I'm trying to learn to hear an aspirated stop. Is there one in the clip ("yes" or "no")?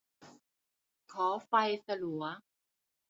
yes